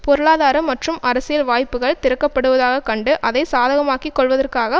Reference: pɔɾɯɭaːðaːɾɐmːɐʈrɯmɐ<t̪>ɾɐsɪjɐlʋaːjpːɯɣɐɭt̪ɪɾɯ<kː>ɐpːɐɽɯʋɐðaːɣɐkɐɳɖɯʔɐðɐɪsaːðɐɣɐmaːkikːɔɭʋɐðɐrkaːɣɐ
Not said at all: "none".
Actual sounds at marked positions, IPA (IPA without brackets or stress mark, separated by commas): none, kː